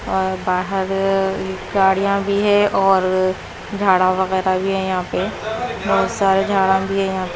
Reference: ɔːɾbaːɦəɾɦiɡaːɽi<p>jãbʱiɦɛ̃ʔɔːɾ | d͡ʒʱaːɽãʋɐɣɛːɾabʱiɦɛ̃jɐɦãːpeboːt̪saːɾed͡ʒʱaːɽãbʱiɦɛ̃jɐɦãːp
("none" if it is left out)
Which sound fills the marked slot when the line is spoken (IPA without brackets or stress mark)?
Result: none